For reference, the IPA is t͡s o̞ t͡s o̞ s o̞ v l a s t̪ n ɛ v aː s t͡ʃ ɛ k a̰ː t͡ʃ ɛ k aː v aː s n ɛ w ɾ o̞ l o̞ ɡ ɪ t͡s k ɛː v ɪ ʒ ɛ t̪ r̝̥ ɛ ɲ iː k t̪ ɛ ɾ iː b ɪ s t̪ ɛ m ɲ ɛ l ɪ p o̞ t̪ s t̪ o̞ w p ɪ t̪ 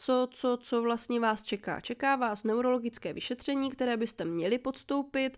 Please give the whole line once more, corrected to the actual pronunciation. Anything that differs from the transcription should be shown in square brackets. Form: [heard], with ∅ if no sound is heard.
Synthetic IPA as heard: t͡s o̞ t͡s o̞ [t͡s] o̞ v l a s t̪ [ɲ] ɛ v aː s t͡ʃ ɛ k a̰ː t͡ʃ ɛ k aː v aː s n ɛ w ɾ o̞ l o̞ ɡ ɪ t͡s k ɛː v ɪ [ʃ] ɛ t̪ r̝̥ ɛ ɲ iː k t̪ ɛ ɾ [ɛː] b ɪ s t̪ ɛ m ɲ ɛ l ɪ p o̞ t̪ s t̪ o̞ w p ɪ t̪